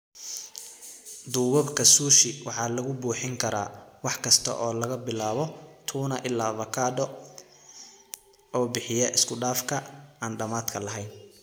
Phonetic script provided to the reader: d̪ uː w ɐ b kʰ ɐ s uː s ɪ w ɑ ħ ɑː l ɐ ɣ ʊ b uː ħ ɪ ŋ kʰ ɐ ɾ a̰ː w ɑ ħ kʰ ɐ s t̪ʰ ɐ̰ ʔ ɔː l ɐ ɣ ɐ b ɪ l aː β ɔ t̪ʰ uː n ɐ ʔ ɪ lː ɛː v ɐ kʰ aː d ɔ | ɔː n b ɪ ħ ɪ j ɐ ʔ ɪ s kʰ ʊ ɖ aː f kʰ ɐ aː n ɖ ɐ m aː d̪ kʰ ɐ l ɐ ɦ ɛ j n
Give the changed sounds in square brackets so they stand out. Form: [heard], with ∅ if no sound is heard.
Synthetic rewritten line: d̪ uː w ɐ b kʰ ɐ s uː [ʃ] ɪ w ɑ ħ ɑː l ɐ ɣ ʊ b uː ħ ɪ ŋ kʰ ɐ ɾ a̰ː w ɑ ħ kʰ ɐ s t̪ʰ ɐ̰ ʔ ɔː l ɐ ɣ ɐ b ɪ l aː β ɔ t̪ʰ uː n ɐ ʔ ɪ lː [aː] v ɐ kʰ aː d ɔ | ɔː [∅] b ɪ ħ ɪ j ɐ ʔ ɪ s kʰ ʊ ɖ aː f kʰ ɐ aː n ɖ ɐ m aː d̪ kʰ ɐ l ɐ ɦ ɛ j n